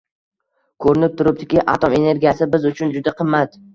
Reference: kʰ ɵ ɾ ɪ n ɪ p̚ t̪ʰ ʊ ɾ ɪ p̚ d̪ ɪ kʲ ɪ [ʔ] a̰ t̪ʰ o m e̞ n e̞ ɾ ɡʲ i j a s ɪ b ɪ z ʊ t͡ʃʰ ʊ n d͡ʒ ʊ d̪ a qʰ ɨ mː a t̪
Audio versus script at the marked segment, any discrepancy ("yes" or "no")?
no